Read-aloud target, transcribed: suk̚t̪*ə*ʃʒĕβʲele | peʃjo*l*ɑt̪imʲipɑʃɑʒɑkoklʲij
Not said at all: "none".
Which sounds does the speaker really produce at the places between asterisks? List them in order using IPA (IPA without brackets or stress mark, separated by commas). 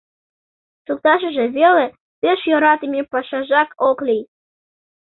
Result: ɑ, ɾ